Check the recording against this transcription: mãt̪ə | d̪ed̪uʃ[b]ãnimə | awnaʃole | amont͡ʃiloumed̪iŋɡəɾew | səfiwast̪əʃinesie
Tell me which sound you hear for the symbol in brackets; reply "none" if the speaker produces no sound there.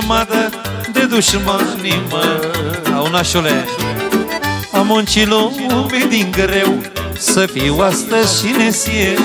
m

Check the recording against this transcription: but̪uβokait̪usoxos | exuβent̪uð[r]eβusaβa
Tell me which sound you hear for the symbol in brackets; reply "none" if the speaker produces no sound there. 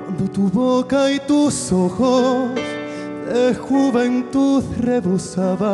r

